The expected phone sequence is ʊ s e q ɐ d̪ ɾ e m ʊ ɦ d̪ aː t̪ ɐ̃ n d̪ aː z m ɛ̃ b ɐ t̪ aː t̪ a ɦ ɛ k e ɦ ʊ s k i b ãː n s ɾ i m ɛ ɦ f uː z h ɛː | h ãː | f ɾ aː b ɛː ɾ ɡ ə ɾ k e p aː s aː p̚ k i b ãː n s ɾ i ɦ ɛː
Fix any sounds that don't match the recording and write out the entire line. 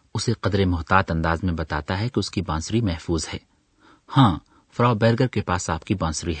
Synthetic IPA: ʊ s e q ɐ d̪ ɾ e m ʊ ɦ t̪ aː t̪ ɐ̃ n d̪ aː z m ẽ b ɐ t̪ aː t̪ a ɦ ɛ k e ʊ s k i b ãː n s ɾ i m ɛ ɦ f uː z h ɛː | h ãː | f ɾ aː b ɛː ɾ ɡ ə ɾ k e p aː s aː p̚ k i b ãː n s ɾ i ɦ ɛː